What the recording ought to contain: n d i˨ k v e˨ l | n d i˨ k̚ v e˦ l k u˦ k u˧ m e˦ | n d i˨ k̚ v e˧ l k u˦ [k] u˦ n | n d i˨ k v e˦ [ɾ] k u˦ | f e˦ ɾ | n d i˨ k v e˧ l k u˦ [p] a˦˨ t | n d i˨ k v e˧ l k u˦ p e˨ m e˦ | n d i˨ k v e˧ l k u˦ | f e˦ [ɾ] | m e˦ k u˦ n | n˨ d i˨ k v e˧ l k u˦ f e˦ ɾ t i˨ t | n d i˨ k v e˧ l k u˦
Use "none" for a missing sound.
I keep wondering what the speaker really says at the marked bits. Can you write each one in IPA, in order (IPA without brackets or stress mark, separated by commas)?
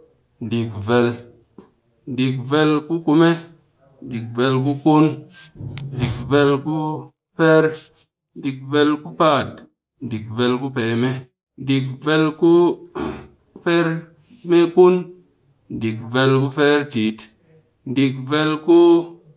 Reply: k, l, p, ɾ